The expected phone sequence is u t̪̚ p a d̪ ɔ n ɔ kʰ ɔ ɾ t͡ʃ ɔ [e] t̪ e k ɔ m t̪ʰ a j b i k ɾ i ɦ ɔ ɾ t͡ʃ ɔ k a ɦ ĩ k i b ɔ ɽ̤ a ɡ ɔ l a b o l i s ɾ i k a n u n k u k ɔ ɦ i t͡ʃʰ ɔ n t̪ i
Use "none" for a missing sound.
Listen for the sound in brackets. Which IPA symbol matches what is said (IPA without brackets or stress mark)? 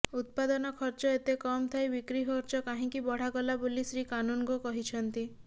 e